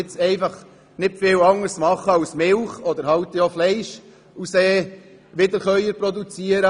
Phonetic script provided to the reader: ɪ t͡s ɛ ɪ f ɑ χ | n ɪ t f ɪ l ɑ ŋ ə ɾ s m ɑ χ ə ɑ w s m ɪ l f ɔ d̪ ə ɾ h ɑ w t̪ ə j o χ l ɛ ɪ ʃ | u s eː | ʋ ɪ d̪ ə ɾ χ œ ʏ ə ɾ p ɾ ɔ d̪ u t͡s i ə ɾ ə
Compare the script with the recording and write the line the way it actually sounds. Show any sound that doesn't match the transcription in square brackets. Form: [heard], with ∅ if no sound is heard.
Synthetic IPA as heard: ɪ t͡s ɛ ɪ f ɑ χ | n ɪ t f ɪ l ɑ ŋ ə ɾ s m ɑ χ ə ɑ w s m ɪ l [χ] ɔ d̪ ə ɾ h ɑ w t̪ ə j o [f] l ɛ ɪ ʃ | u s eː | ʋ ɪ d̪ ə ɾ χ œ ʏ ə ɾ p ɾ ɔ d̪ u t͡s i ə ɾ ə

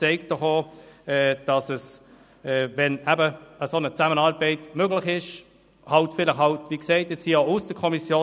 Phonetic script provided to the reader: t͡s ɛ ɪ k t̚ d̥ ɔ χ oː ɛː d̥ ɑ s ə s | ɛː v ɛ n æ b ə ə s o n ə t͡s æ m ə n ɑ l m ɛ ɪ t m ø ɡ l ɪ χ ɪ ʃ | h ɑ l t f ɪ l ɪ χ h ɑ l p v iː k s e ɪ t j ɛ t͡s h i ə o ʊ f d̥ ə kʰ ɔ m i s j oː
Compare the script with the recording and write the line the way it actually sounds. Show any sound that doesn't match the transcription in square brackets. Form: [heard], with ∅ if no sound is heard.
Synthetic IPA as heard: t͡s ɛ ɪ k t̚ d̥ ɔ χ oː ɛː d̥ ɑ s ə s | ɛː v ɛ n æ b ə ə s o n ə t͡s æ m ə n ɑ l [b] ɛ ɪ t m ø ɡ l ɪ χ ɪ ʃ | h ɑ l t f ɪ l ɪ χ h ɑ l [t] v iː k s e ɪ t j ɛ t͡s h i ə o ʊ [s] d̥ ə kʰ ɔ m i s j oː

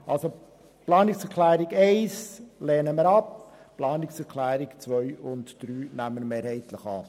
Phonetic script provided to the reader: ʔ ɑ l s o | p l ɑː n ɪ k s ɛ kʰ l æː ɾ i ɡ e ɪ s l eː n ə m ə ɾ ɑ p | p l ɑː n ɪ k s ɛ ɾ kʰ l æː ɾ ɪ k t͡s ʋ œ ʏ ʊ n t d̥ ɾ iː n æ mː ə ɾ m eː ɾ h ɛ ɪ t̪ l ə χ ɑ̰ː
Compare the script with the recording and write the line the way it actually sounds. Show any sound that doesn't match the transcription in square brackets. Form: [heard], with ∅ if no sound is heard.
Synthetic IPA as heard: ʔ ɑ l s o | p l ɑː n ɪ k s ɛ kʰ l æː ɾ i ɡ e ɪ s l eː n ə m ə ɾ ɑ p | p l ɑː n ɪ k s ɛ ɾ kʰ l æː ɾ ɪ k t͡s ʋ œ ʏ ʊ n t d̥ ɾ [yː] n æ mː ə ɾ m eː ɾ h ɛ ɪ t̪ l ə χ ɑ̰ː

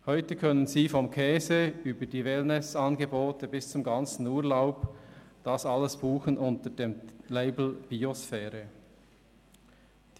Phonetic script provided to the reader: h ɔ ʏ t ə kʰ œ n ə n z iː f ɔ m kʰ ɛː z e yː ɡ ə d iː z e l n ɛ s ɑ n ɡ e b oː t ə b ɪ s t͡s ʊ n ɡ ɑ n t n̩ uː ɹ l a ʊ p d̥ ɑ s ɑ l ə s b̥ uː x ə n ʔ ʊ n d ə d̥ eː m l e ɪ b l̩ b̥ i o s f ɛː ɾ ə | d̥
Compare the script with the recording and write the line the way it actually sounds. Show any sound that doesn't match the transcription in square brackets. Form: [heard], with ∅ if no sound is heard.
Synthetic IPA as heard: h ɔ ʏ t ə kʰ œ n ə n z iː f ɔ m kʰ ɛː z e yː [b] ə d iː [v] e l n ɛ s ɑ n ɡ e b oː t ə b ɪ s t͡s ʊ [m] ɡ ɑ n [t͡s] n̩ uː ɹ l a ʊ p d̥ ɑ s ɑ l ə s b̥ uː x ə n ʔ ʊ n [t] ə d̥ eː m l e ɪ b l̩ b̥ i o s f ɛː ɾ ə | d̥

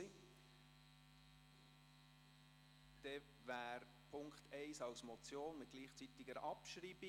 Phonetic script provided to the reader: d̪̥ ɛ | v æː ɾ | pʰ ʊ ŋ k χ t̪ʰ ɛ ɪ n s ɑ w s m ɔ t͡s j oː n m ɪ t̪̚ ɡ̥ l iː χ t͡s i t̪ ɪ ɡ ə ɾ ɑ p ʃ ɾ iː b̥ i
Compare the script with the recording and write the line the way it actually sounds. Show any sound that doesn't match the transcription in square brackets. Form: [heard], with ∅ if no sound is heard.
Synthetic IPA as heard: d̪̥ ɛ | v æː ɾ | pʰ ʊ ŋ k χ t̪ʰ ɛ ɪ [∅] s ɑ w s m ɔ t͡s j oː n m ɪ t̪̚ ɡ̥ l iː χ t͡s i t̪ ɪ ɡ ə ɾ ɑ p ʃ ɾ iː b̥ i

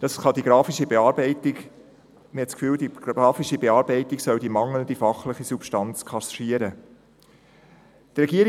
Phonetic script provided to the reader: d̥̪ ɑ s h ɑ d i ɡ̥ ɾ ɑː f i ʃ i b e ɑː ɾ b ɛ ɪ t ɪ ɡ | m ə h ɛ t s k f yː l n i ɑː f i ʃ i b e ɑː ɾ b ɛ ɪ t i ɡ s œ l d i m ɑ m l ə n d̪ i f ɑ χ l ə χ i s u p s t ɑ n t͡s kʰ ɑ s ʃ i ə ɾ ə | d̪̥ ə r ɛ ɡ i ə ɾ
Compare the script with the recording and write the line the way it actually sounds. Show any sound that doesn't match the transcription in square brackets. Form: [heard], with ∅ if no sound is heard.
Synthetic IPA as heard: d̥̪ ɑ s [χ] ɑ d i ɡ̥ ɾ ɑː f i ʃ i b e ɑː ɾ b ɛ ɪ t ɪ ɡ | m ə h ɛ t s k f yː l [d] i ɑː f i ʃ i b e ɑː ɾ b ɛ ɪ t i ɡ s œ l d i m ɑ [ŋ] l ə n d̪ i f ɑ χ l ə χ i s u p [ʃ] t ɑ n t͡s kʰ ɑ s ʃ i ə ɾ ə | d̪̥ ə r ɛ ɡ i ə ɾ

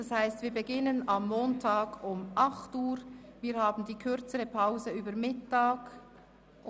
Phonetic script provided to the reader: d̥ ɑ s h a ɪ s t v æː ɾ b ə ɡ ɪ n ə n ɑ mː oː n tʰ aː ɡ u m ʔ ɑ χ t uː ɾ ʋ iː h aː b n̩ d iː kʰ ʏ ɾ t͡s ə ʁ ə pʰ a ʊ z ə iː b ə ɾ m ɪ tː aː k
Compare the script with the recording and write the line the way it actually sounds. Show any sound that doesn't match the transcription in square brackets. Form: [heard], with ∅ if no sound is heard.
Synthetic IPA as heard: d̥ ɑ s h a ɪ s t v [iː] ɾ b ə ɡ ɪ n ə n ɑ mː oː n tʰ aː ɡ [ʊ] m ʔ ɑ χ t uː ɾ [v] iː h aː b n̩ d iː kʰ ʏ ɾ t͡s ə ʁ ə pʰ a ʊ z ə [yː] b ə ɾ m ɪ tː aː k

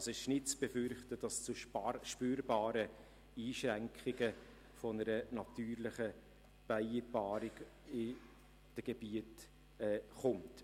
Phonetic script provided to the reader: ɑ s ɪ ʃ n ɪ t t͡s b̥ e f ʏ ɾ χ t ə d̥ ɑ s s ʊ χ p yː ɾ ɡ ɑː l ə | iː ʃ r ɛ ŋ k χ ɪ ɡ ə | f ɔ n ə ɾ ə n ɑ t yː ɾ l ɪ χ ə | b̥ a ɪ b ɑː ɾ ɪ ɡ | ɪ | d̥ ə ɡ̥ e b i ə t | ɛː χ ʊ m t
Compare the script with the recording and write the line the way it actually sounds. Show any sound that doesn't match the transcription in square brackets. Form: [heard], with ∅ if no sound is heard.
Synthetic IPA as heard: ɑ s ɪ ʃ n ɪ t t͡s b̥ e f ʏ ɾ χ t ə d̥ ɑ s [t͡s] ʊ [ʃ] p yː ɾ [b] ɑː [ɾ] ə | iː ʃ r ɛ ŋ k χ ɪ ɡ ə | f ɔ n ə ɾ ə n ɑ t yː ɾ l ɪ χ ə | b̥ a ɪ b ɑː ɾ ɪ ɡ | ɪ | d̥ ə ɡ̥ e b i ə t | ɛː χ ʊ m t

